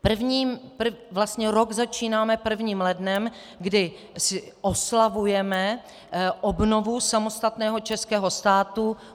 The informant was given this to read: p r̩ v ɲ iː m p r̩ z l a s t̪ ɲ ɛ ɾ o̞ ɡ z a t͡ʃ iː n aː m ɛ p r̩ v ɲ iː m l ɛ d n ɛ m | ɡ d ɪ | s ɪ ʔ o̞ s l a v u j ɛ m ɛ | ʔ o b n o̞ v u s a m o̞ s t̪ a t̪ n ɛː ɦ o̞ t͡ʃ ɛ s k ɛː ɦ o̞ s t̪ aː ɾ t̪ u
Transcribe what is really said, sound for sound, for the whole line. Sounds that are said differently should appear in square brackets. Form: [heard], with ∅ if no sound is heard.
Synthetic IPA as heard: p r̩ v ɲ iː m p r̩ [v] l a s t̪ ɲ ɛ ɾ o̞ ɡ z a t͡ʃ iː n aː m ɛ p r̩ v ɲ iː m l ɛ d n ɛ m | ɡ d ɪ | s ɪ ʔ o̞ s l a v u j ɛ m ɛ | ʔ o b n o̞ v u s a m o̞ s t̪ a t̪ n ɛː ɦ o̞ t͡ʃ ɛ s k ɛː ɦ o̞ s t̪ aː [∅] t̪ u